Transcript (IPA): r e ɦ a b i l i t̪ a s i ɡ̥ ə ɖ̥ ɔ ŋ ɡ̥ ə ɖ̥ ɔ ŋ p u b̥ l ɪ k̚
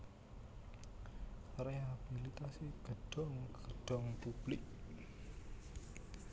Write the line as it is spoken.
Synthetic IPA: r e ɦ a b i l i t̪ a s i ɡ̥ ə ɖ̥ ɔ ŋ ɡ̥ ə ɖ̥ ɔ ŋ p u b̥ l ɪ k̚